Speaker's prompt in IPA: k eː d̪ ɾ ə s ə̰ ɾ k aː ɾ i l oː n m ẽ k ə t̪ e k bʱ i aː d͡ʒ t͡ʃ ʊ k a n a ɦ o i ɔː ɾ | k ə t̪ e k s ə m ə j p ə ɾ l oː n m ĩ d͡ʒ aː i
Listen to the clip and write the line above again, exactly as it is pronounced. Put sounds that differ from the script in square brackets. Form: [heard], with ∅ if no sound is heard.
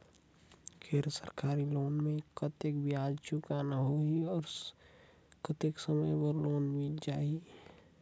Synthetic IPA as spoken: k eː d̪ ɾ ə s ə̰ ɾ k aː ɾ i l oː n m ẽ k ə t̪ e k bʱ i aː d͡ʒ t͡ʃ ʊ k a n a ɦ o i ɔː ɾ | k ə t̪ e k s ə m ə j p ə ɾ l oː n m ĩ d͡ʒ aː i